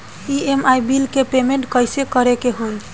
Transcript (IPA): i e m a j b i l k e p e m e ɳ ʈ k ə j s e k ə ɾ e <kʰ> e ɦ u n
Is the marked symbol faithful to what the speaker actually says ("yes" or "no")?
no